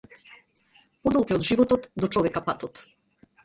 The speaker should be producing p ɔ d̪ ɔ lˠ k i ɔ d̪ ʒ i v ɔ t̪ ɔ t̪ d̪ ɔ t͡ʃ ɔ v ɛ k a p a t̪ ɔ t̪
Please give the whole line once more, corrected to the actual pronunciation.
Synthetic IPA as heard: p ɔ d̪ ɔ lˠ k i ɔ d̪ ʒ i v ɔ t̪ ɔ t̪ d̪ ɔ t͡ʃ ɔ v ɛ k a p a t̪ ɔ t̪